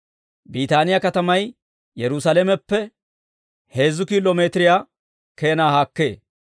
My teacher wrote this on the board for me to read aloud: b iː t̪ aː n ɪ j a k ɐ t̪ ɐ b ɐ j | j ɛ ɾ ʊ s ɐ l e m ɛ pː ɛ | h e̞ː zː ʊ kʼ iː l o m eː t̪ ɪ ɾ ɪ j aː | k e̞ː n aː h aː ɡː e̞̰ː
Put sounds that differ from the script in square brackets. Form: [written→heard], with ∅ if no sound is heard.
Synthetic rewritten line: b iː t̪ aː n ɪ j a k ɐ t̪ ɐ [b→m] ɐ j | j ɛ ɾ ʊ s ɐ l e m ɛ pː ɛ | h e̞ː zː ʊ [kʼ→k] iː l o m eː t̪ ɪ ɾ ɪ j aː | k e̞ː n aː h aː [ɡː→kː] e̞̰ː

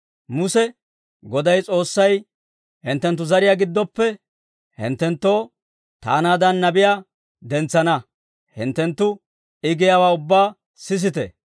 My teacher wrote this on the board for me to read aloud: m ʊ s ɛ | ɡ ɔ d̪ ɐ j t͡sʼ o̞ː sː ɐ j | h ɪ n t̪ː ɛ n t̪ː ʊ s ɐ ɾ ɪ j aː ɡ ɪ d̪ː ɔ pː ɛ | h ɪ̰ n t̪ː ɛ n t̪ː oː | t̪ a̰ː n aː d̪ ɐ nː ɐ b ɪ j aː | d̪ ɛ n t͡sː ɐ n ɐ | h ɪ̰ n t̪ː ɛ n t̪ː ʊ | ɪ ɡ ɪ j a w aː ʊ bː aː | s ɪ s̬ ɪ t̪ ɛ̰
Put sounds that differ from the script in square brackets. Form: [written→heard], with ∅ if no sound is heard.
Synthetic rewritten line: m ʊ s ɛ | ɡ ɔ d̪ ɐ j t͡sʼ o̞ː sː ɐ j | h ɪ n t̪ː ɛ n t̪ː ʊ [s→z] ɐ ɾ ɪ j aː ɡ ɪ d̪ː ɔ pː ɛ | h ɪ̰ n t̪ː ɛ n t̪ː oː | t̪ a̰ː n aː d̪ ɐ nː ɐ b ɪ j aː | d̪ ɛ n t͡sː ɐ n ɐ | h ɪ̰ n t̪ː ɛ n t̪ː ʊ | ɪ ɡ ɪ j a w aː ʊ bː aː | s ɪ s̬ ɪ t̪ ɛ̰

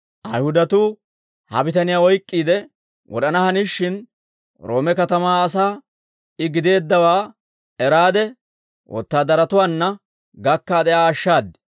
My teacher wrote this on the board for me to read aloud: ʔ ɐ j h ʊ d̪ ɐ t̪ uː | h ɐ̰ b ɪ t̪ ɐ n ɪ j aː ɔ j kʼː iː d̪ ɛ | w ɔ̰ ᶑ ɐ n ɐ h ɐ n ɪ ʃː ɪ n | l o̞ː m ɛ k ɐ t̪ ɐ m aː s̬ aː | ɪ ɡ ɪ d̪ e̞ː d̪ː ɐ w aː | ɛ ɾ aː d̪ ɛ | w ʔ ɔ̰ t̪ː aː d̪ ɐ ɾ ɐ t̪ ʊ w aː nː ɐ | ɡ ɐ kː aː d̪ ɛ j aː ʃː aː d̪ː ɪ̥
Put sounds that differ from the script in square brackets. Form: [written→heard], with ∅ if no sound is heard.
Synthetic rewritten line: ʔ ɐ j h ʊ d̪ ɐ t̪ uː | h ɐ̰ b ɪ t̪ ɐ n ɪ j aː ɔ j kʼː iː d̪ ɛ | w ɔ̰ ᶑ ɐ n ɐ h ɐ n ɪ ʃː ɪ n | [l→ɾ] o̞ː m ɛ k ɐ t̪ ɐ m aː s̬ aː | ɪ ɡ ɪ d̪ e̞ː d̪ː ɐ w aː | ɛ ɾ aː d̪ ɛ | w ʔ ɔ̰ t̪ː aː d̪ ɐ ɾ ɐ t̪ ʊ w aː nː ɐ | ɡ ɐ kː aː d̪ ɛ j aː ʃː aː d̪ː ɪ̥

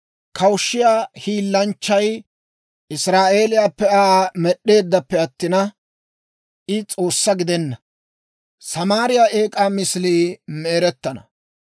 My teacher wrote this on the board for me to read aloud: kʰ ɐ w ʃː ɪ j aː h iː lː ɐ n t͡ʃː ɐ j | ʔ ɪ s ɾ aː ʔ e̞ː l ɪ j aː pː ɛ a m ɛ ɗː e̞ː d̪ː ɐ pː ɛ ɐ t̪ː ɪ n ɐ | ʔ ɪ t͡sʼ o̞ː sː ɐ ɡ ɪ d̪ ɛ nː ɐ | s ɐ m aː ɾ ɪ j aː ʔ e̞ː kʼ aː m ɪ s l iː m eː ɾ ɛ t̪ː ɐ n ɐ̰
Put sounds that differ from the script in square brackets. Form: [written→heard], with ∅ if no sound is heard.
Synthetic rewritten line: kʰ ɐ w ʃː ɪ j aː h iː lː ɐ n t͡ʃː ɐ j | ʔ ɪ s ɾ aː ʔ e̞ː l ɪ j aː pː ɛ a m ɛ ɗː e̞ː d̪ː ɐ pː ɛ ɐ t̪ː ɪ n ɐ | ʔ ɪ t͡sʼ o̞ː sː ɐ ɡ ɪ d̪ ɛ nː ɐ | s ɐ m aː ɾ ɪ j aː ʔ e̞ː kʼ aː m ɪ s l iː m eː ɾ ɛ t̪ː ɐ n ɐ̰

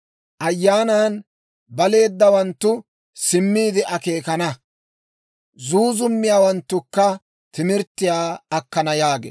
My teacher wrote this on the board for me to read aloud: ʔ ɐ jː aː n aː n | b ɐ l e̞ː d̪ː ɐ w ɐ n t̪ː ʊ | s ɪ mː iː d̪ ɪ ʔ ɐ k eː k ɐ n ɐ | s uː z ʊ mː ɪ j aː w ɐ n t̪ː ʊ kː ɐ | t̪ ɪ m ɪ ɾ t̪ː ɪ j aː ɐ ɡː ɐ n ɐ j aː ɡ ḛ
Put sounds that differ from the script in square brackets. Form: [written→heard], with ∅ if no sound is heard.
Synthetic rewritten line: ʔ ɐ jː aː n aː n | b ɐ l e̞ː d̪ː ɐ w ɐ n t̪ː ʊ | s ɪ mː iː d̪ ɪ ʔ ɐ k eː k ɐ n ɐ | [s→z] uː z ʊ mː ɪ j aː w ɐ n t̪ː ʊ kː ɐ | t̪ ɪ m ɪ ɾ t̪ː ɪ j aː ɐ [ɡː→kː] ɐ n ɐ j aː ɡ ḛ

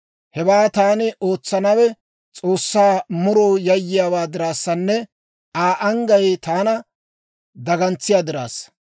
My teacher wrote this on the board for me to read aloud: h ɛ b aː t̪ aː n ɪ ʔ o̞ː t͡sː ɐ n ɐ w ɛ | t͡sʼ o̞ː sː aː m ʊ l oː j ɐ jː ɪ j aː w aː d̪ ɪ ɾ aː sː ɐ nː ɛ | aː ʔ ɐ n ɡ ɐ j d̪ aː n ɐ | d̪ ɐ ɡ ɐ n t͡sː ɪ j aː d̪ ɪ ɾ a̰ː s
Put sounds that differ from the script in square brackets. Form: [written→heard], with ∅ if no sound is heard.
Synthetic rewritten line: h ɛ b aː t̪ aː n ɪ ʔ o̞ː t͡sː ɐ n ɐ w ɛ | t͡sʼ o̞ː sː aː m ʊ [l→ɾ] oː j ɐ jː ɪ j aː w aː d̪ ɪ ɾ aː sː ɐ nː ɛ | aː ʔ ɐ [n→ŋ] ɡ ɐ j [d̪→t̪] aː n ɐ | d̪ ɐ ɡ ɐ n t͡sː ɪ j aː d̪ ɪ ɾ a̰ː s

